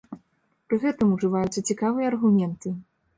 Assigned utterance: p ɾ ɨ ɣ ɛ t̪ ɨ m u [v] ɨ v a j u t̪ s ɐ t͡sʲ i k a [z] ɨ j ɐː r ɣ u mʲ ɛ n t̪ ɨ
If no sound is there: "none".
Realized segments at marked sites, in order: ʐ, v

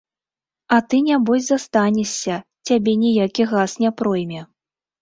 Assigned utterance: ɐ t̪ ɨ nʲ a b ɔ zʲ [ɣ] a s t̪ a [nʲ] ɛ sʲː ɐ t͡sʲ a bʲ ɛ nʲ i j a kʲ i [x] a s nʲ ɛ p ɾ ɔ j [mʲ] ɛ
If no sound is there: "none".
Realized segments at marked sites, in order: z, nʲ, ɣ, mʲ

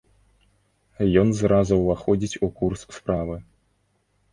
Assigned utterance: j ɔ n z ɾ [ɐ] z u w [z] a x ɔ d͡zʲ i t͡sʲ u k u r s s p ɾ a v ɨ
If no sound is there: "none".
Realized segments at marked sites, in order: a, v

